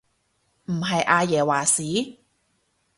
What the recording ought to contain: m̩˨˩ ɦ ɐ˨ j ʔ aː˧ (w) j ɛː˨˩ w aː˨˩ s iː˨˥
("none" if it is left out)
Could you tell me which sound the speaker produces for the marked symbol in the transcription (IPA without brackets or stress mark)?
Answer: none